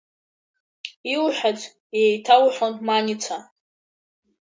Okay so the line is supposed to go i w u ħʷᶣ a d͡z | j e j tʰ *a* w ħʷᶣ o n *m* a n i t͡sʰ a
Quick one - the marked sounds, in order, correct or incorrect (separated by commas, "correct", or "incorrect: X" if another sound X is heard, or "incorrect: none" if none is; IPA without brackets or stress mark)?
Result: correct, correct